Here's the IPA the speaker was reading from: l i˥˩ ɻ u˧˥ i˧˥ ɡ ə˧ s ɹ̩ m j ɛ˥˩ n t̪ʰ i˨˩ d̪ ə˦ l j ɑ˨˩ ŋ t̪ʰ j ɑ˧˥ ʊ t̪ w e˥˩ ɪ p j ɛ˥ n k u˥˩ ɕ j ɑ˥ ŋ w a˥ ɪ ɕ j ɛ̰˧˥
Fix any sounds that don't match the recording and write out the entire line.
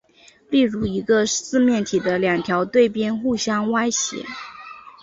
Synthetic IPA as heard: l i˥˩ ɻ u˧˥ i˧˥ ɡ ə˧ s ɹ̩ m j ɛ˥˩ n t̪ʰ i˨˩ d̪ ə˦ l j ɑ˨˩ ŋ t̪ʰ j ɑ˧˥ ʊ t̪ w e˥˩ ɪ p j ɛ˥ n x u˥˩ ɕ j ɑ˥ ŋ w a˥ ɪ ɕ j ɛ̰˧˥